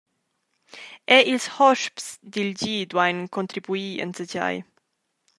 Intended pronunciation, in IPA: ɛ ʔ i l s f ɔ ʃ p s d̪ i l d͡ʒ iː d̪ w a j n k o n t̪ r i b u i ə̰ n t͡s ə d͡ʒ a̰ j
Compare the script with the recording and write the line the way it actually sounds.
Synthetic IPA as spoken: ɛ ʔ i l s h ɔ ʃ p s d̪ i l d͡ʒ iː d̪ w a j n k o n t̪ ɾ i b u i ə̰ n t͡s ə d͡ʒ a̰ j